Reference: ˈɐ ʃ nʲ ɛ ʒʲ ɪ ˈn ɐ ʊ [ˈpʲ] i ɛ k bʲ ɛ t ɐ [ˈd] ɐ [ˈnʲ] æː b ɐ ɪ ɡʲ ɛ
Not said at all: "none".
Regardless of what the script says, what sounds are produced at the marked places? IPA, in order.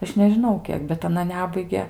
kʲ, n, nʲ

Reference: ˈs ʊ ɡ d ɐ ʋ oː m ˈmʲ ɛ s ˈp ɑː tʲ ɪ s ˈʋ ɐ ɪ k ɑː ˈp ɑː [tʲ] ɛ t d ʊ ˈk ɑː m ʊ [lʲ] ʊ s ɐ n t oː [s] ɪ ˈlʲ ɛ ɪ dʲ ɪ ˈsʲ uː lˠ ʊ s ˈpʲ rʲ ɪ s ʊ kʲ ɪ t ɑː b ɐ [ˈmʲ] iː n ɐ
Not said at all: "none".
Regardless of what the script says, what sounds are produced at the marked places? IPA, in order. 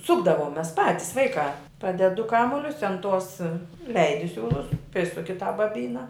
dʲ, lʲ, s, bʲ

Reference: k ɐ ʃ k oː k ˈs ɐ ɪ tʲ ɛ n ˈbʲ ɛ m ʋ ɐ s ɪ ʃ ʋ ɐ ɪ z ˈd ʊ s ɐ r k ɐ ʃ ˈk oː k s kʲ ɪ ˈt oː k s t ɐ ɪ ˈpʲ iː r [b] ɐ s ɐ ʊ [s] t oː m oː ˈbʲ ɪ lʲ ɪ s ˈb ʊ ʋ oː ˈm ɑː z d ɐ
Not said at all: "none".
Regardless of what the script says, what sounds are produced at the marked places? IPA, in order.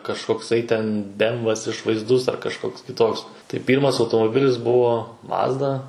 m, none

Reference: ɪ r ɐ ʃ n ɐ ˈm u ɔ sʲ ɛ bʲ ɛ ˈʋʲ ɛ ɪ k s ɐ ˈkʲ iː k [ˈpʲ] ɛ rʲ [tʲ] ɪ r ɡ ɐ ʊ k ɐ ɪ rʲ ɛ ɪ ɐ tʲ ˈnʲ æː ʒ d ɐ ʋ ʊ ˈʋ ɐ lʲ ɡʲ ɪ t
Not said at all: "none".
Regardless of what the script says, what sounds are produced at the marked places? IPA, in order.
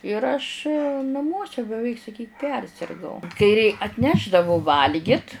pʲ, sʲ

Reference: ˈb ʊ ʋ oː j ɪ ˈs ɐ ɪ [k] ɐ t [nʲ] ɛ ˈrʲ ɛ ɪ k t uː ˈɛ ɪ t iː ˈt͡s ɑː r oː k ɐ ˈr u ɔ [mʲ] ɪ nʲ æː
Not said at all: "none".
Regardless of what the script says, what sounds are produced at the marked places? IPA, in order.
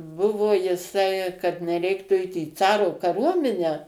k, nʲ, mʲ

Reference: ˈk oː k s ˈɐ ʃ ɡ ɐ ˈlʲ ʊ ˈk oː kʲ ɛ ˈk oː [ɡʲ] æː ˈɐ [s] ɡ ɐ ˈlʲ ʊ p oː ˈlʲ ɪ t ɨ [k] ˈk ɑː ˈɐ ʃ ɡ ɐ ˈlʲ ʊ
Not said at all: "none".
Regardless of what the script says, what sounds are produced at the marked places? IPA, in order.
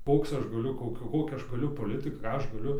kʲ, ʃ, k

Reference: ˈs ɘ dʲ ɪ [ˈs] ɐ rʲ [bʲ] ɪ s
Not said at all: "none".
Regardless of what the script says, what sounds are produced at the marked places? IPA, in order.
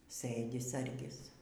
s, ɡʲ

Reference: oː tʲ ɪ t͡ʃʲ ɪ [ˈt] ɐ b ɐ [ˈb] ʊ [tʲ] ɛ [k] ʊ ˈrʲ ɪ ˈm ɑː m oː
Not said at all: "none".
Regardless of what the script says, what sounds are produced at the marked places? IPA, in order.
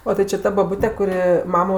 t, b, tʲ, k

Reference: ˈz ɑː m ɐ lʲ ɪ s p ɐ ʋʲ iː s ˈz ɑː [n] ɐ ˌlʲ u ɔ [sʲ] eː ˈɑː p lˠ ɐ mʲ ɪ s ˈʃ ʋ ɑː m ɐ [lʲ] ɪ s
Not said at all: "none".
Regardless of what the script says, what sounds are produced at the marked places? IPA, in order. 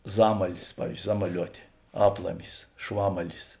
m, tʲ, lʲ

